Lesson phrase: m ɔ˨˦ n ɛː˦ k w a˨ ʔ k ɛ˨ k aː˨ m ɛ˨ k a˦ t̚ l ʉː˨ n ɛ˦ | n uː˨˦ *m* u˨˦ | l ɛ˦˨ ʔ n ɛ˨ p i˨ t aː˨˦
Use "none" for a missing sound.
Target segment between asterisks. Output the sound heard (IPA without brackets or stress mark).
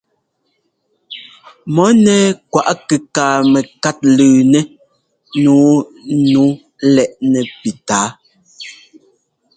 n